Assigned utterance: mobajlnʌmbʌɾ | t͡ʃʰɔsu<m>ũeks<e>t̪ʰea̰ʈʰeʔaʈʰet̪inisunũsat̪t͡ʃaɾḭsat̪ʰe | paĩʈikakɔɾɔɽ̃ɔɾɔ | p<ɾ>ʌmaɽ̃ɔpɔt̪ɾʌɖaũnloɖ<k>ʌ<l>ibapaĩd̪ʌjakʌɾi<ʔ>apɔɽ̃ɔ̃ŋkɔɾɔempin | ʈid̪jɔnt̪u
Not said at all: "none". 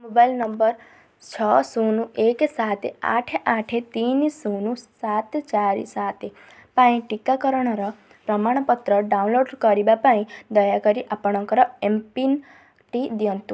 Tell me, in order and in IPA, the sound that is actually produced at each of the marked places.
n, a, ɾ, k, ɾ, ʔ

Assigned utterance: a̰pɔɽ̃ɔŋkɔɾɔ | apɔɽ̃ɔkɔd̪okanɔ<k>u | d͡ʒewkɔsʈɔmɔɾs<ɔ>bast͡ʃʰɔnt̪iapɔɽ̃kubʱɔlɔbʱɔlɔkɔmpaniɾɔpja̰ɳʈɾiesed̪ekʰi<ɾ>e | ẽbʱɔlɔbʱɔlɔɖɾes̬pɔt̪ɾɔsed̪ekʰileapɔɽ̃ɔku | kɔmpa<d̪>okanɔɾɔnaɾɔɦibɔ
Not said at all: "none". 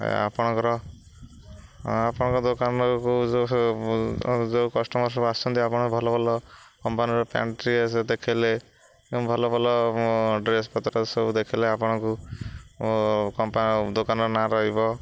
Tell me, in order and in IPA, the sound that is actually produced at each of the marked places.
k, ɔ, l, d̪

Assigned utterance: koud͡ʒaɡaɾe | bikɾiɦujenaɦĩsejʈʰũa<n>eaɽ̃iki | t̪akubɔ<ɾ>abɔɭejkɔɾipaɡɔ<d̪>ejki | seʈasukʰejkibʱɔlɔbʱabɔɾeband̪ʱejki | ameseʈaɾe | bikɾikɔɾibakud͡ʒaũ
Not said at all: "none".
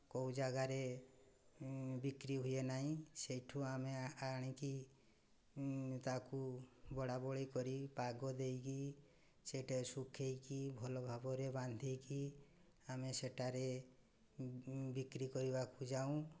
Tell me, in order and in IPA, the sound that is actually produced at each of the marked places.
m, ɽ, d̪

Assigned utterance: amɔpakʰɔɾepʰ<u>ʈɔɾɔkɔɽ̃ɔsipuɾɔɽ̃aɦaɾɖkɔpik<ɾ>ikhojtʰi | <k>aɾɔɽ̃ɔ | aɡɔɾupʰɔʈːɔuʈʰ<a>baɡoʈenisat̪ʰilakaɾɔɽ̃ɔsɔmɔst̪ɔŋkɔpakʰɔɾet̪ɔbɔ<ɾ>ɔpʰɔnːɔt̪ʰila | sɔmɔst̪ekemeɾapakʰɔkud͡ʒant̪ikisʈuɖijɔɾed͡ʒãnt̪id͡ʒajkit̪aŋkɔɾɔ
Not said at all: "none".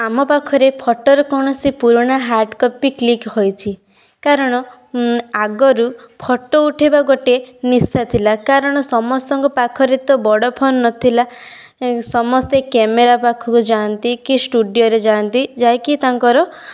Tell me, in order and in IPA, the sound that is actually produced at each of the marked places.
ɔ, l, k, e, ɽ

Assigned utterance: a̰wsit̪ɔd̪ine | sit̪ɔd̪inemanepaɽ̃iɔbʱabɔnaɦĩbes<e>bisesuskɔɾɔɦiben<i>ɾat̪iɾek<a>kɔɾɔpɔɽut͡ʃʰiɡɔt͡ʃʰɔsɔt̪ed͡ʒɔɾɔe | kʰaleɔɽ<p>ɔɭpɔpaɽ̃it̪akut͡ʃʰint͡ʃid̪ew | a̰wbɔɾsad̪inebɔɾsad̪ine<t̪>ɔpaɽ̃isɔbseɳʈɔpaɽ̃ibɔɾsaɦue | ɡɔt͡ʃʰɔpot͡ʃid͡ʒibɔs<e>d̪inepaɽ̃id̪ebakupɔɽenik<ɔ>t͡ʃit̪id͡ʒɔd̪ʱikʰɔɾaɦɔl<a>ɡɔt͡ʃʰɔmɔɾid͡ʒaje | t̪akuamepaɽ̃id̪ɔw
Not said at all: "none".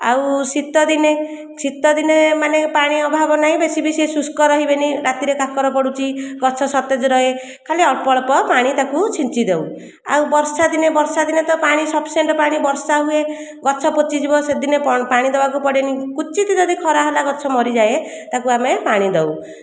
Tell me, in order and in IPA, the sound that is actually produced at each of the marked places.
i, i, a, p, t̪, e, u, a

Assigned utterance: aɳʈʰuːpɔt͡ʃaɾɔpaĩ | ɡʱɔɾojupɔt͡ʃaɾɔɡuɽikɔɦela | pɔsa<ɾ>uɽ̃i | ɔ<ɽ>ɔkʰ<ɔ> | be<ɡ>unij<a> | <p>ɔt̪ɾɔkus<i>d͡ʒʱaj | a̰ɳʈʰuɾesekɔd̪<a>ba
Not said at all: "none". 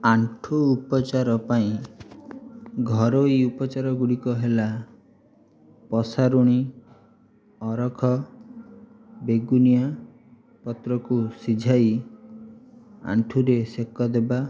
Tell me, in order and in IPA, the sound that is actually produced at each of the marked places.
ɾ, ɾ, ɔ, ɡ, a, p, i, e

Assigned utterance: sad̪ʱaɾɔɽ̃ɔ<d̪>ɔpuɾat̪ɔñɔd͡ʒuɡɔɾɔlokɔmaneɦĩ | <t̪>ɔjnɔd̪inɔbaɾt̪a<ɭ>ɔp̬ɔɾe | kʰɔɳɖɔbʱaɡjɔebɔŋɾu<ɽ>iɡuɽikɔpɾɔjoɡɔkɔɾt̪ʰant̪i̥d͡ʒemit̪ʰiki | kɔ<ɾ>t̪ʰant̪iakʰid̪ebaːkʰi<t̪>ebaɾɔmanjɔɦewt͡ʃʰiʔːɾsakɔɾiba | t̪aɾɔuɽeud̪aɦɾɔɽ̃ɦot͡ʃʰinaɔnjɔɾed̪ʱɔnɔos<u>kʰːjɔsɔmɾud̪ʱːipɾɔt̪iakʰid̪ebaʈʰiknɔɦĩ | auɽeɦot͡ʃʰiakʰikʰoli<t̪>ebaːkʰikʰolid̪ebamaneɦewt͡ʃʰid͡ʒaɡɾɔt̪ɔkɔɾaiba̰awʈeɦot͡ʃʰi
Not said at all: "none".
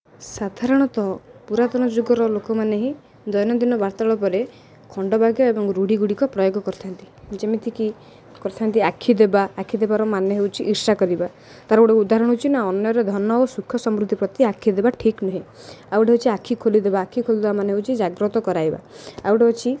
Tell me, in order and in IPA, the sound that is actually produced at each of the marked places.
t̪, d̪, ɭ, ɽ, ɾ, d̪, u, d̪

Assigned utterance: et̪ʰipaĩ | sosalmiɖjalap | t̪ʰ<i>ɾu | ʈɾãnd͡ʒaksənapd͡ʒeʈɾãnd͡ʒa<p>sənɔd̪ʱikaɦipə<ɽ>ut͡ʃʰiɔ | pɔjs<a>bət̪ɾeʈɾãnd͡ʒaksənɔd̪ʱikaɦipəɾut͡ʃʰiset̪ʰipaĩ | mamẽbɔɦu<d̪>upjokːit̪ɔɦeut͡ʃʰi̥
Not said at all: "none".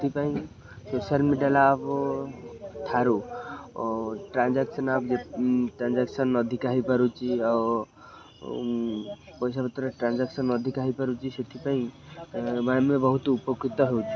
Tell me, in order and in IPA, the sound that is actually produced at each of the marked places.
a, k, ɾ, a, t̪

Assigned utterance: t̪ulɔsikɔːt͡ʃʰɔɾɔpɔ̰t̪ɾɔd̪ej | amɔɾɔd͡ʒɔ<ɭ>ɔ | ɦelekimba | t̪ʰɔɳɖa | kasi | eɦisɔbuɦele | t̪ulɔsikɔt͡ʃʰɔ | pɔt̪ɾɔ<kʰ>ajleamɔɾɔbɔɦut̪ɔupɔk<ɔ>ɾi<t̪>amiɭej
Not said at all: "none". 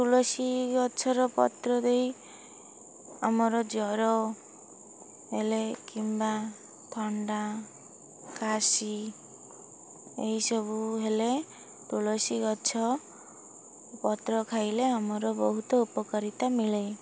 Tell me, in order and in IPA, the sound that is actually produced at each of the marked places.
ɾ, kʰ, ɔ, t̪

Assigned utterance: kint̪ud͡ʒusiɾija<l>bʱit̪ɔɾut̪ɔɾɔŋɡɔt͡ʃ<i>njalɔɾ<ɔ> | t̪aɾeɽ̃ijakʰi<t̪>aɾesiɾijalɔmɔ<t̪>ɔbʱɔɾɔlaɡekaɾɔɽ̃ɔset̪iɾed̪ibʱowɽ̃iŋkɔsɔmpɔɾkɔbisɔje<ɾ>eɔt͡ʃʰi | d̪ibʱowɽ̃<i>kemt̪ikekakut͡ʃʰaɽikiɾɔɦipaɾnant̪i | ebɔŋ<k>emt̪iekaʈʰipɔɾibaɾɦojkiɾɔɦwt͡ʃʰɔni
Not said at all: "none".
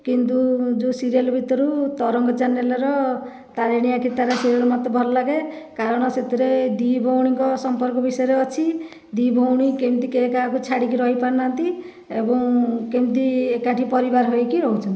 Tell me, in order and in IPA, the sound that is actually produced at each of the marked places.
l, a, ɔ, t̪, t̪, ɾ, i, k

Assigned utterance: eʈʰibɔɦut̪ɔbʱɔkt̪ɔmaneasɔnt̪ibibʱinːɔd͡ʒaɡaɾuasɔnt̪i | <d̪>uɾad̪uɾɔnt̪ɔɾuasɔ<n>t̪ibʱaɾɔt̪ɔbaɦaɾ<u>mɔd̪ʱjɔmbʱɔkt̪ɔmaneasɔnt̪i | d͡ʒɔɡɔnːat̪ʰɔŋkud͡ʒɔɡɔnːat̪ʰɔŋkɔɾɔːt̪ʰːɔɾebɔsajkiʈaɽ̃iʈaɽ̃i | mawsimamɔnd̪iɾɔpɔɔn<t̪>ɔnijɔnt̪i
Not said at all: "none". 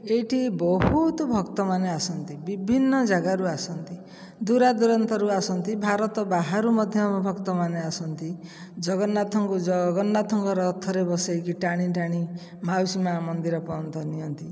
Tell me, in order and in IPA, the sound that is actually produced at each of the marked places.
d̪, n, u, t̪

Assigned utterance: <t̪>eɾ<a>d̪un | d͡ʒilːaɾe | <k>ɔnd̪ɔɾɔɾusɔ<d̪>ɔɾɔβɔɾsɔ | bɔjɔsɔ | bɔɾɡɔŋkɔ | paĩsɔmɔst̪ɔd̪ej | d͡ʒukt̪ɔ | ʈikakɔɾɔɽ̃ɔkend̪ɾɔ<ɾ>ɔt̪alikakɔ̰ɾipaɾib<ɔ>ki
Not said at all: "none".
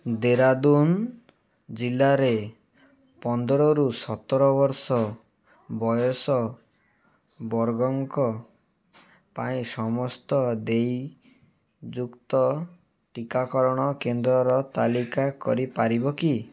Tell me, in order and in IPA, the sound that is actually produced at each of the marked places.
d̪, a, p, t̪, ɾ, ɔ

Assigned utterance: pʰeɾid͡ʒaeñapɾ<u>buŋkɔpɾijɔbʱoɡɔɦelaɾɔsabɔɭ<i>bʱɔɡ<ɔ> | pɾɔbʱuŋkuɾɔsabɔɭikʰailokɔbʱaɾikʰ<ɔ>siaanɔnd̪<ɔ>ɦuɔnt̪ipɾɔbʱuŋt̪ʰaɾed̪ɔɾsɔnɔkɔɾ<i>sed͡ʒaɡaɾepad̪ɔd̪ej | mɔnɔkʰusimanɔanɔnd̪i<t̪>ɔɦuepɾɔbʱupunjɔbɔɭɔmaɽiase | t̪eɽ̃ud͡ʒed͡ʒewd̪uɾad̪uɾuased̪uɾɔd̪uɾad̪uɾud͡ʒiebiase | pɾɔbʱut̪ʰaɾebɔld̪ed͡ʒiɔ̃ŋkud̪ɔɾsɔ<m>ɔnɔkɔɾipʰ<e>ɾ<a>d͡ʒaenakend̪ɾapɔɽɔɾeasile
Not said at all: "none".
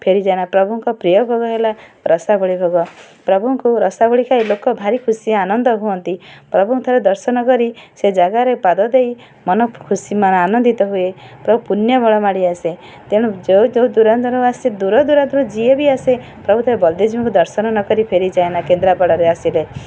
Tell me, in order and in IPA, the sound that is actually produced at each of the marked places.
ɔ, i, ɔ, u, ɔ, i, t̪, n, e, i

